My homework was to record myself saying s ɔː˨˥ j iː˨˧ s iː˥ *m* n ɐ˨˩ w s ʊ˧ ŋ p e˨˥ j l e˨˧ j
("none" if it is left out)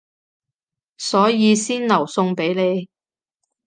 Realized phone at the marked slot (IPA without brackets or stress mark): n